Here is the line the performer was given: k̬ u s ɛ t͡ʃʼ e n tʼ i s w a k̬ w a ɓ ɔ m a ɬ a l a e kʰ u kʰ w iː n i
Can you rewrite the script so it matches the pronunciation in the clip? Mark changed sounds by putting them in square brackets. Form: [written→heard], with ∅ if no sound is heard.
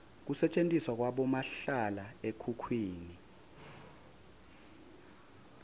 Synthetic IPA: k̬ u s ɛ t͡ʃʼ e n tʼ i s w a k̬ w a ɓ ɔ m a ɬ a l a e kʰ u kʰ w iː n i